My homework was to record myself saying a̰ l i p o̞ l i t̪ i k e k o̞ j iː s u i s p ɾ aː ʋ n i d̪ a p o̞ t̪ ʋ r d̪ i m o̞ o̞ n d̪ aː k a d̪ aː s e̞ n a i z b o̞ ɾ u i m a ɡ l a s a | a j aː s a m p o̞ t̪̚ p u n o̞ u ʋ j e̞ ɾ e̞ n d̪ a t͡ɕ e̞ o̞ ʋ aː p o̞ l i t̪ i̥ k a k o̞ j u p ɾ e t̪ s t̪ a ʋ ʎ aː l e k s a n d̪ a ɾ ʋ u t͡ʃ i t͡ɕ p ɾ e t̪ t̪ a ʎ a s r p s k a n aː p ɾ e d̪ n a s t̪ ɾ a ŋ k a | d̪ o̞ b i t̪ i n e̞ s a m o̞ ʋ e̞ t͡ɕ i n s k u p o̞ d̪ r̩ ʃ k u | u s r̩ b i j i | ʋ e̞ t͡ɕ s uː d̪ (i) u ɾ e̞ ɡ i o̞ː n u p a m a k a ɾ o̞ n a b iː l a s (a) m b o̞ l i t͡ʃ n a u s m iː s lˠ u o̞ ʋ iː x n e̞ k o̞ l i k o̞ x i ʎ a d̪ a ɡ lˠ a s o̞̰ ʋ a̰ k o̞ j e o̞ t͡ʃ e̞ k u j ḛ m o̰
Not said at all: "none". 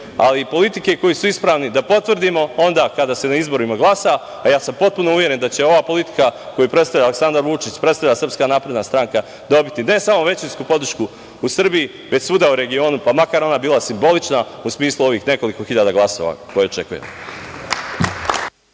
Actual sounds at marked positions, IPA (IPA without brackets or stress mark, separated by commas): a, i